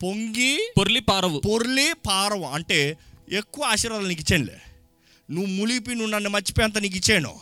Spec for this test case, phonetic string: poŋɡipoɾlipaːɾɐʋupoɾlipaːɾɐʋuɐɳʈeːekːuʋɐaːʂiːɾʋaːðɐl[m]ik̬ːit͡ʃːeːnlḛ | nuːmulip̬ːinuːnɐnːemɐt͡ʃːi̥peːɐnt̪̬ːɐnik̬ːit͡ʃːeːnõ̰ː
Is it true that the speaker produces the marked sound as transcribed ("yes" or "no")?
no